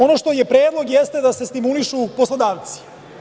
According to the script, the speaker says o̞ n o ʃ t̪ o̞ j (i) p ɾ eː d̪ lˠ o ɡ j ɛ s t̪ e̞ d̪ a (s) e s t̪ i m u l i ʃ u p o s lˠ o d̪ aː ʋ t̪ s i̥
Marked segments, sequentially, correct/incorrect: incorrect: e, correct

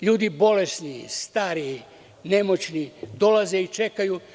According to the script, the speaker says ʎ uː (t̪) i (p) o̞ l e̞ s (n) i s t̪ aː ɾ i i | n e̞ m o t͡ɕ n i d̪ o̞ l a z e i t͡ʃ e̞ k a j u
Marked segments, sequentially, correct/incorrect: incorrect: d̪, incorrect: b, correct

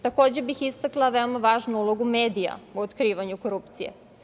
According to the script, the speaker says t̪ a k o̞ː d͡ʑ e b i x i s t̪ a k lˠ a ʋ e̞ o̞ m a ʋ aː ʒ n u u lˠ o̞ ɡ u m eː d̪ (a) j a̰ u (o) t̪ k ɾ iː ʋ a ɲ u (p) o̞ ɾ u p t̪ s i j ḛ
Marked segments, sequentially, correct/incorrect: incorrect: i, correct, incorrect: k

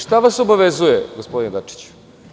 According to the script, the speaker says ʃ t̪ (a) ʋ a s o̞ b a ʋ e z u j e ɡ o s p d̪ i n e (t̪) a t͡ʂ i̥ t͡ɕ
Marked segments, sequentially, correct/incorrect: correct, incorrect: d̪

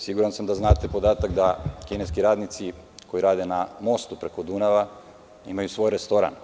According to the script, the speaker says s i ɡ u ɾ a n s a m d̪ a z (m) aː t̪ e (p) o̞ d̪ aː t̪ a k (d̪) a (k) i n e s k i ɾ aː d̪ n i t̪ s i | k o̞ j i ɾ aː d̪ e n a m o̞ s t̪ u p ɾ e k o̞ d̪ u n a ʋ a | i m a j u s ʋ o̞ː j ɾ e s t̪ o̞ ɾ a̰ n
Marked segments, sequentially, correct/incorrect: incorrect: n, correct, correct, correct

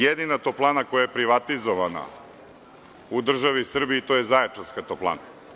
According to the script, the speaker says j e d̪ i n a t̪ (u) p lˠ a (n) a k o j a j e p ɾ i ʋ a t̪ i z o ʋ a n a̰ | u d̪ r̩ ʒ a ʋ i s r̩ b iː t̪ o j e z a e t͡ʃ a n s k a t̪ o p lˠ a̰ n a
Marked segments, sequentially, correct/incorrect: incorrect: o, correct

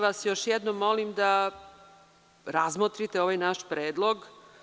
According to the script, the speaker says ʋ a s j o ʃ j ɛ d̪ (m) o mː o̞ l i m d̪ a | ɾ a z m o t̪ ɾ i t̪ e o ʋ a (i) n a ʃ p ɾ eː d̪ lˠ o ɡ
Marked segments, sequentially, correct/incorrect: incorrect: n, incorrect: j

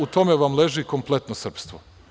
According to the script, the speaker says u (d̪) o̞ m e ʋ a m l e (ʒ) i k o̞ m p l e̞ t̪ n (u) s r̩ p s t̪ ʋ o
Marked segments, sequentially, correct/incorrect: incorrect: t̪, correct, incorrect: o

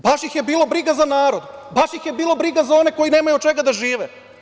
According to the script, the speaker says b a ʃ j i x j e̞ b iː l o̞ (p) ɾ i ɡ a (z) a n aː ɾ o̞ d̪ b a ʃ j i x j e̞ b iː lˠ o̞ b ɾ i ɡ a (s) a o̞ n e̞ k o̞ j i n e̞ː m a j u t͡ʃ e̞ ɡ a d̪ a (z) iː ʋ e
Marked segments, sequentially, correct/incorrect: incorrect: b, correct, incorrect: z, incorrect: ʒ

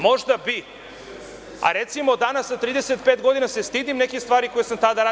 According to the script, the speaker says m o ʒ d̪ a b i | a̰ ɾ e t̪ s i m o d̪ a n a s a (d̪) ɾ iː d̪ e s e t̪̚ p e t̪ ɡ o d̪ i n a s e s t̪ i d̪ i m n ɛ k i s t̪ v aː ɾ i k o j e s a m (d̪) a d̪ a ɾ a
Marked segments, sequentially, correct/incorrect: incorrect: t̪, incorrect: t̪

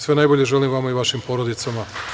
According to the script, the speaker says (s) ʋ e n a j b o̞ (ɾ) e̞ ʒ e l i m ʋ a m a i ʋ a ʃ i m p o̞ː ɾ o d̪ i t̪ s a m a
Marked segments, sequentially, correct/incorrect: correct, incorrect: ʎ

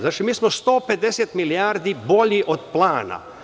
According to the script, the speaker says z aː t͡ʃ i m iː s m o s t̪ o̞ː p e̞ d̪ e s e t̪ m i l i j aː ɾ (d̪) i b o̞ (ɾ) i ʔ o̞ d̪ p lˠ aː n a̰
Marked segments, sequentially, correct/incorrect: correct, incorrect: ʎ

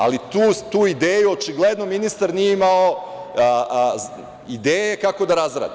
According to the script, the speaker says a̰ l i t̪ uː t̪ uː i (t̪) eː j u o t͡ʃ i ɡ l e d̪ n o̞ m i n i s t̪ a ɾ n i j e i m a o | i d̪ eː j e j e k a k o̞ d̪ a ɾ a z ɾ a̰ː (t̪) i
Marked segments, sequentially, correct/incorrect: incorrect: d̪, incorrect: d̪

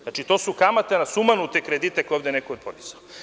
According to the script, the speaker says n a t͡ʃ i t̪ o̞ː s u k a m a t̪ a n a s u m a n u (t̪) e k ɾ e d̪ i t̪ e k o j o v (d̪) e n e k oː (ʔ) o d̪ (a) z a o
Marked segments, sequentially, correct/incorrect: correct, correct, incorrect: p, incorrect: i

